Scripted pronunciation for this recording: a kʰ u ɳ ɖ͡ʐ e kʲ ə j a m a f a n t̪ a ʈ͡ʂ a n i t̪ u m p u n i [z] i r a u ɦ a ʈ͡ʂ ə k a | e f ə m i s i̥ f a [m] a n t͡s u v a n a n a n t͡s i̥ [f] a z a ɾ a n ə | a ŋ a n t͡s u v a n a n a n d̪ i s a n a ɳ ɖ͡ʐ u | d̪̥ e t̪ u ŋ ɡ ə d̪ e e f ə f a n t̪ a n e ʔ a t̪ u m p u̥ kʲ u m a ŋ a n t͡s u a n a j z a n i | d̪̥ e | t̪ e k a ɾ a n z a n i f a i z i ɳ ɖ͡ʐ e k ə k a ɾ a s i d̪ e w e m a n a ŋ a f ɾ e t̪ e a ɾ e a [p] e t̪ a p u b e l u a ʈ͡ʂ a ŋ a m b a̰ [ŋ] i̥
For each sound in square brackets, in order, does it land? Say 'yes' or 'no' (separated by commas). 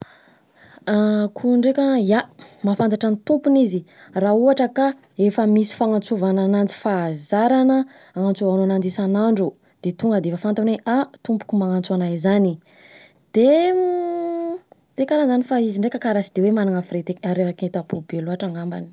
yes, no, yes, no, no